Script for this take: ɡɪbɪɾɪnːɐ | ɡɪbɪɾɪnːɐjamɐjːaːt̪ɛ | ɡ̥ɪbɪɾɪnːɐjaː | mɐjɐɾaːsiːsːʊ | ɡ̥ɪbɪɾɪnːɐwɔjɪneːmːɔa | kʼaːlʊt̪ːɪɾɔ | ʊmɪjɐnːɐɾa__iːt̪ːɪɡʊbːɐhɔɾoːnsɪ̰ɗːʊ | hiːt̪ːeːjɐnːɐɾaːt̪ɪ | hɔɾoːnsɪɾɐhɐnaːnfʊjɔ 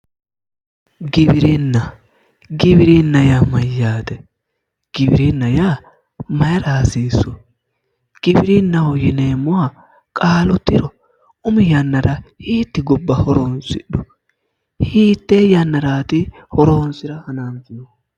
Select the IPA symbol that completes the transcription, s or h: h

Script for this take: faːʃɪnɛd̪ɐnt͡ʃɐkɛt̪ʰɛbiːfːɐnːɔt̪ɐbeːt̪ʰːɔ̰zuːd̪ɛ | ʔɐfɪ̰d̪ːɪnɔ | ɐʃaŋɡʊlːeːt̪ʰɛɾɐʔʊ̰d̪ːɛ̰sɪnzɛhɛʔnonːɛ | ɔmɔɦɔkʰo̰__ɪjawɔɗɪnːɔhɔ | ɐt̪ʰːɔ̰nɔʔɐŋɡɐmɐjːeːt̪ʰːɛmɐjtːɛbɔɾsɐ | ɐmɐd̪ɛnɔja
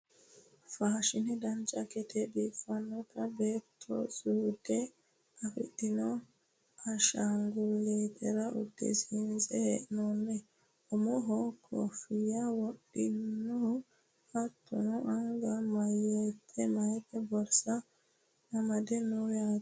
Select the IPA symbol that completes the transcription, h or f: f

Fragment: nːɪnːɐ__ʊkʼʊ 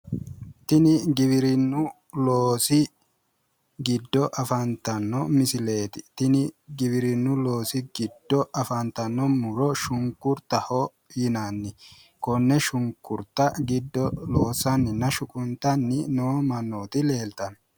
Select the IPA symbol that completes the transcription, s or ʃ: ʃ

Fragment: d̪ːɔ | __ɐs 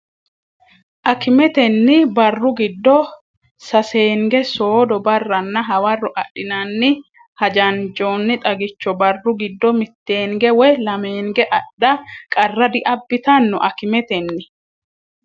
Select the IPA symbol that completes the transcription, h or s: s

